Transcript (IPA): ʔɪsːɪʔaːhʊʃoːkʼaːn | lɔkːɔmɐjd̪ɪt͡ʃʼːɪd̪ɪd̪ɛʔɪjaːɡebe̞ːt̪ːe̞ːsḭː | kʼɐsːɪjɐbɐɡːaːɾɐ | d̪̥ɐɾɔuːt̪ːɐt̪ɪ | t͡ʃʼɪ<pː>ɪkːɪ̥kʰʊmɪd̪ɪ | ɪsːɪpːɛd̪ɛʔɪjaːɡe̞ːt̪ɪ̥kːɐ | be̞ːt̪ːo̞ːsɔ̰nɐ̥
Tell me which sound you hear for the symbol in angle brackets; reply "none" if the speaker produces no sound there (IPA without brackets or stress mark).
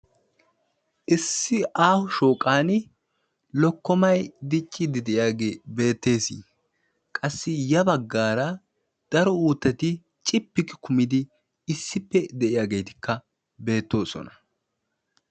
pː